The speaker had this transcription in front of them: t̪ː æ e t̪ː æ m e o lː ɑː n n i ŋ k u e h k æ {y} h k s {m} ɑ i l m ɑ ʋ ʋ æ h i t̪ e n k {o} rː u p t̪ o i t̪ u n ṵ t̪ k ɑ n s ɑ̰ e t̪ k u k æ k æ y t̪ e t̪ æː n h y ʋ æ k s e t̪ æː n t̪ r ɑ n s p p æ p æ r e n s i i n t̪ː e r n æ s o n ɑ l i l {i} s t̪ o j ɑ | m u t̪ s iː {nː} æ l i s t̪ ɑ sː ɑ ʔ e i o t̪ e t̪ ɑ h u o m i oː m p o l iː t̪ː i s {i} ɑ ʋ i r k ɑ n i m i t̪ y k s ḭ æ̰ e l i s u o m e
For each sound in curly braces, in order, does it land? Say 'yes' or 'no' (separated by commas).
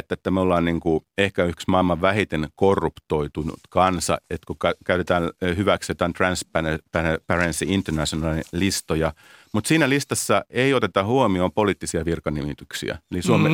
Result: yes, yes, yes, yes, no, yes